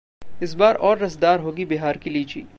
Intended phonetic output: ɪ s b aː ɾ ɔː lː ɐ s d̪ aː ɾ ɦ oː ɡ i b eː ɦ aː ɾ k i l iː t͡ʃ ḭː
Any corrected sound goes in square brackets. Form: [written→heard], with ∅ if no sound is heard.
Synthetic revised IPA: ɪ s b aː ɾ ɔː [lː→ɾː] ɐ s d̪ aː ɾ ɦ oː ɡ i b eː ɦ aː ɾ k i l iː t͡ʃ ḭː